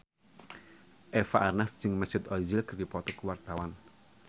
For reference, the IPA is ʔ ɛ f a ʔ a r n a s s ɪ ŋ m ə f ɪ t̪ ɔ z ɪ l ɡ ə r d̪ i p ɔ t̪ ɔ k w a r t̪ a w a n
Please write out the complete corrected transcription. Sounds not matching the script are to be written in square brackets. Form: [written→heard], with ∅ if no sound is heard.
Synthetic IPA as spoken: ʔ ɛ f a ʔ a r n a s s ɪ ŋ m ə [f→s] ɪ t̪ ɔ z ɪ l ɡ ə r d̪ i p ɔ t̪ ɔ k w a r t̪ a w a n